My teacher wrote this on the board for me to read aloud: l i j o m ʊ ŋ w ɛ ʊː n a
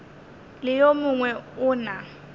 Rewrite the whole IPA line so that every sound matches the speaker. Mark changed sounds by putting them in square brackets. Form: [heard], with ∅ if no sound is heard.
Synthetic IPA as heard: l [ɪ] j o m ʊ ŋ w ɛ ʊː n a